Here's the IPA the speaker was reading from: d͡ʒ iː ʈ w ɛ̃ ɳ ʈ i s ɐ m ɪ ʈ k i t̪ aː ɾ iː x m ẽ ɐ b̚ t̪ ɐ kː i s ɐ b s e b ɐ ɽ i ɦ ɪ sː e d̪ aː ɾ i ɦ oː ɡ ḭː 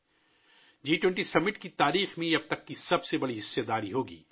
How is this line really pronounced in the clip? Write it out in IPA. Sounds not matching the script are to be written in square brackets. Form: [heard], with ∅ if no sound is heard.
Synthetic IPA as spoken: d͡ʒ iː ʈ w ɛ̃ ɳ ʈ i s ɐ m ɪ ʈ k i t̪ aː ɾ iː x m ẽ ɐ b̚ t̪ ɐ kː i s ɐ b s e b ɐ ɽ i ɦ ɪ sː e d̪ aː ɾ i ɦ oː ɡ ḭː